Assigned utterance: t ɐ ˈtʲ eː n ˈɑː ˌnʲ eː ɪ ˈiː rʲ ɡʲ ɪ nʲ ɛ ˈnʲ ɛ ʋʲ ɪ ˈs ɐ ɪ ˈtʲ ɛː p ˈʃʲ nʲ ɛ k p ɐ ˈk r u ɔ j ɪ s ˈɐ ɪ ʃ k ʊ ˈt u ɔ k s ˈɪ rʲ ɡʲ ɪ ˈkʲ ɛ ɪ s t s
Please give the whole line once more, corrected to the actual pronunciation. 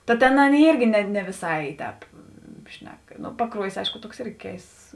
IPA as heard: t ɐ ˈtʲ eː n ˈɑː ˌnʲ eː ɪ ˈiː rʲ ɡʲ ɪ nʲ ɛ ˈnʲ ɛ ʋʲ ɪ ˈs ɐ ɪ ˈtʲ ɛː p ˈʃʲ nʲ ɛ k p ɐ ˈk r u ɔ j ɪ s ˈɐ ɪ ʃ k ʊ ˈt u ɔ k s ˈɪ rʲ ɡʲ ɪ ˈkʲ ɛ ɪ s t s